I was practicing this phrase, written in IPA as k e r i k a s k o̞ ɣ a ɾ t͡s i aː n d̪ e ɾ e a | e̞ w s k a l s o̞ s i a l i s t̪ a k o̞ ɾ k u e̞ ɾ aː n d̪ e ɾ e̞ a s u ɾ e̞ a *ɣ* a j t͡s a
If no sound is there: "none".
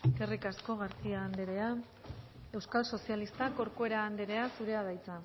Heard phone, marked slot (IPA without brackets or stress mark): ð